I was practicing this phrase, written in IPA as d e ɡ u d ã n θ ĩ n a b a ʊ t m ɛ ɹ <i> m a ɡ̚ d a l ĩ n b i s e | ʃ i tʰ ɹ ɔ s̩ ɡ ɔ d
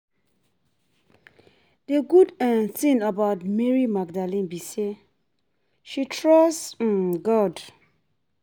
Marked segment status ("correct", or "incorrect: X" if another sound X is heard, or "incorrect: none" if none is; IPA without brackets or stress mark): correct